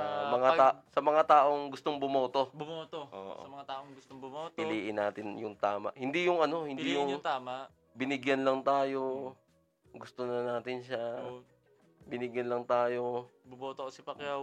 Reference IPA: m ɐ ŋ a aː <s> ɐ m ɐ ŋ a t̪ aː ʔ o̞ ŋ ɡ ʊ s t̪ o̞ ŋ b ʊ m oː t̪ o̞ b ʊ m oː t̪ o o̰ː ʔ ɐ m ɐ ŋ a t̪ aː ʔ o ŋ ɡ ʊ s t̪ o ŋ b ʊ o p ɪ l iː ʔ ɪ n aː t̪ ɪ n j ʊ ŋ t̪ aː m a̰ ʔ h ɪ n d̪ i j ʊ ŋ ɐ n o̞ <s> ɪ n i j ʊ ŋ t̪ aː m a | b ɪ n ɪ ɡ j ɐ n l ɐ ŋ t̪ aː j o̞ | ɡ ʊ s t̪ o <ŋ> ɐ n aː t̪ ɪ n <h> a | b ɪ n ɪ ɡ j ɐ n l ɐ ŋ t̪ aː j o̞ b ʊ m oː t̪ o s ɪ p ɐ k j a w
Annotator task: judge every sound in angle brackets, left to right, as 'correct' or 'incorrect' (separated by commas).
correct, incorrect, incorrect, incorrect